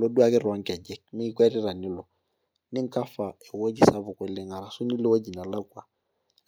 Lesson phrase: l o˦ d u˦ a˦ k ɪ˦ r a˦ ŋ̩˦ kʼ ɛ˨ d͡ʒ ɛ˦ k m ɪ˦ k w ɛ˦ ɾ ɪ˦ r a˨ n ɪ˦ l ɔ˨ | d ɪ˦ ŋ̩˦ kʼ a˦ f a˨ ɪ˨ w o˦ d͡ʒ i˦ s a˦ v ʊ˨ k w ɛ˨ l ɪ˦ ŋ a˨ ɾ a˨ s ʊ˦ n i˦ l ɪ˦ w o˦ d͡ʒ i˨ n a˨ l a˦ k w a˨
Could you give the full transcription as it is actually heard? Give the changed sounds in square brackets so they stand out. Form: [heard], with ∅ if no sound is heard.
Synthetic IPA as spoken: l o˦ d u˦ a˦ k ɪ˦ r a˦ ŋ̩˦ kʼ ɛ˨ d͡ʒ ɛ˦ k m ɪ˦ k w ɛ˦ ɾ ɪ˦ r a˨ n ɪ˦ l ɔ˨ | [n] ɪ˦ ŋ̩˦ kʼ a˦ f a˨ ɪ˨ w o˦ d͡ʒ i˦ s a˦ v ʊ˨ k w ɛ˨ l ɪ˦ ŋ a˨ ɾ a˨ s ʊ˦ n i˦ l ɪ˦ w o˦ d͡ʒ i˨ n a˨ l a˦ k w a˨